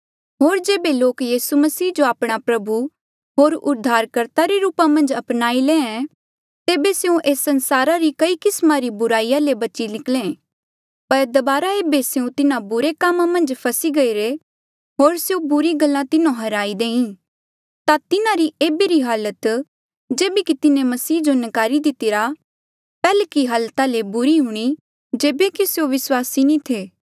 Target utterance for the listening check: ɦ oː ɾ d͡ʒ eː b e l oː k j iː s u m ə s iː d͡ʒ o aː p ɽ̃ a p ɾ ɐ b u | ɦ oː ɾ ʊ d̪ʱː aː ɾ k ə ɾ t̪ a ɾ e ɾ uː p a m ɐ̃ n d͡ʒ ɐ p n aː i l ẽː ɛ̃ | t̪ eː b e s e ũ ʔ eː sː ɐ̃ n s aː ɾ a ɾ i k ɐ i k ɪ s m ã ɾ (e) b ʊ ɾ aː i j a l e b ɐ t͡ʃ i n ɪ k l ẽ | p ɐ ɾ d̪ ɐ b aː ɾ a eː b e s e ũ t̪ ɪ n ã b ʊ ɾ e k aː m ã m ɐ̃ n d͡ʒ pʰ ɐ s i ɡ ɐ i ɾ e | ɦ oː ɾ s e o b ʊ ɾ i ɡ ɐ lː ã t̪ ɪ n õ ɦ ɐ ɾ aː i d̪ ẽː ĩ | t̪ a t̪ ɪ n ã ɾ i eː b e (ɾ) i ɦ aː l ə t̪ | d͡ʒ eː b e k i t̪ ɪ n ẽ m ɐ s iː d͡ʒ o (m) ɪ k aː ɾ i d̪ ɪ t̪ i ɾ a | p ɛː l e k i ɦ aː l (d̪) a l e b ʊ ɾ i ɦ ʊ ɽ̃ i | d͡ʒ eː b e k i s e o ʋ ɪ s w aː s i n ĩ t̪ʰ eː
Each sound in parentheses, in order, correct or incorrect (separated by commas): incorrect, correct, incorrect, incorrect